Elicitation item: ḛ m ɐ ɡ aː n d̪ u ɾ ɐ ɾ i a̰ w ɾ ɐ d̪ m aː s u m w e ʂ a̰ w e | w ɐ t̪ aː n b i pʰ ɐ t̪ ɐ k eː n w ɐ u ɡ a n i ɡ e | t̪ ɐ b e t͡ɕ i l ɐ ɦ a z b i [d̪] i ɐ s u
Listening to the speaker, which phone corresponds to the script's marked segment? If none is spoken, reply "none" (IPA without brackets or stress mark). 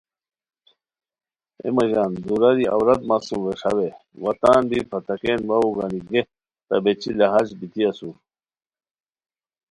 t̪